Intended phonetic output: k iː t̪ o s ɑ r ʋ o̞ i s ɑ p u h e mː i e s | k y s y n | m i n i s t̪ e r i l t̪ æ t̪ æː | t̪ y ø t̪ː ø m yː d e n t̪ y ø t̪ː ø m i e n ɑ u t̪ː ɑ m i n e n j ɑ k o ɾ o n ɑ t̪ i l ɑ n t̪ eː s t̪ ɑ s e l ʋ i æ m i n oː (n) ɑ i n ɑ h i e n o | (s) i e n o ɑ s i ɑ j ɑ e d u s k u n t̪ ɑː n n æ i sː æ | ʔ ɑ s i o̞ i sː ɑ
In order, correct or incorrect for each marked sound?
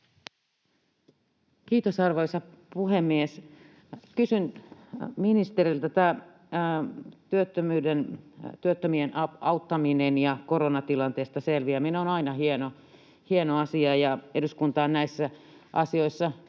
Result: correct, incorrect: h

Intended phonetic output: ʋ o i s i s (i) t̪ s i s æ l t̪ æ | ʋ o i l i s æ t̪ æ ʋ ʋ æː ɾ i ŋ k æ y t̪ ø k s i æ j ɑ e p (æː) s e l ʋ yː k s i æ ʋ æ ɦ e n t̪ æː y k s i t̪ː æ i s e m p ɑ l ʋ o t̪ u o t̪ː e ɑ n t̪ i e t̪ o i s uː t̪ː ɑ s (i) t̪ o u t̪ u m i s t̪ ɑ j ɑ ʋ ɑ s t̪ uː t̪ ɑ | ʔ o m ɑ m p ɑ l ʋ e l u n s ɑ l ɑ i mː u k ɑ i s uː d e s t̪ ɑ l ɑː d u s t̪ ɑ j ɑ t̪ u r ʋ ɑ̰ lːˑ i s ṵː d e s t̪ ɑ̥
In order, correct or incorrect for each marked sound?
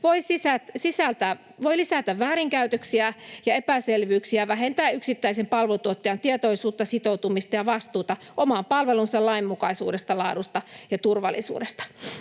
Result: incorrect: æ, incorrect: æ, correct

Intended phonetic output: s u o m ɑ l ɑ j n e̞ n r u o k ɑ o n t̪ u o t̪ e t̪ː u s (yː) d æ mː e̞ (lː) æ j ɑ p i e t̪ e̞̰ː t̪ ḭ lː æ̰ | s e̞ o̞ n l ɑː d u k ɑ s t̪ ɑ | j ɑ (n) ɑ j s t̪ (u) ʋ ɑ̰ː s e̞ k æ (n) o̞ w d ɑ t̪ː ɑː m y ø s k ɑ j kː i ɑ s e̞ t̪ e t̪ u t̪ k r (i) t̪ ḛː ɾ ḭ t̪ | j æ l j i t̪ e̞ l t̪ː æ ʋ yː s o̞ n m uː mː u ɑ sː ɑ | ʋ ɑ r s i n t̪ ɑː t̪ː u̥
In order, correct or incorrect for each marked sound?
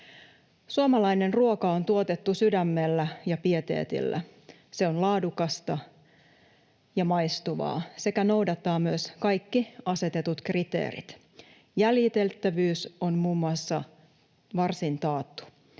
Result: incorrect: y, correct, incorrect: m, correct, correct, correct

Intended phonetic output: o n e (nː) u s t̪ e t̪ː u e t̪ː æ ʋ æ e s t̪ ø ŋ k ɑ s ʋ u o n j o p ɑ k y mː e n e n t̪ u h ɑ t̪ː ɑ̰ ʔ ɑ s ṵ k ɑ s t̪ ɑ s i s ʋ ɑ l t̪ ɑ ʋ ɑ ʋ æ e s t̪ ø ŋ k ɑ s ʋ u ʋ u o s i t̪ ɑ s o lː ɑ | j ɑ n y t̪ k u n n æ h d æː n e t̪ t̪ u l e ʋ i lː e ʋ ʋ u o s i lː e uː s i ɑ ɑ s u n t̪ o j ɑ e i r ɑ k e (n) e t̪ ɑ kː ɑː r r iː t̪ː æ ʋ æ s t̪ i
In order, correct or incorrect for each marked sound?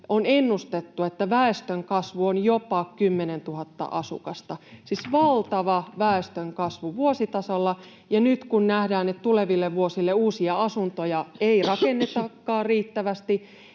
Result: correct, incorrect: nː

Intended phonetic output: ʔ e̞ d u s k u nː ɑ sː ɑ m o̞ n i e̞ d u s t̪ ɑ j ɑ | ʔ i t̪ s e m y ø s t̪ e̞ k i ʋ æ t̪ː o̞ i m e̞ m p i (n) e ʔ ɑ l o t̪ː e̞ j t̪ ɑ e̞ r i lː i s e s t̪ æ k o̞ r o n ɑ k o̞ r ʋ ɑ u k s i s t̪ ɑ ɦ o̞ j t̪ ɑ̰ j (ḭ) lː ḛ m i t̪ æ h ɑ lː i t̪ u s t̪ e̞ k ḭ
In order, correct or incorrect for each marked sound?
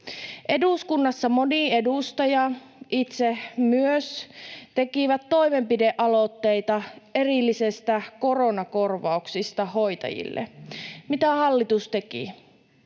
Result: incorrect: d, correct

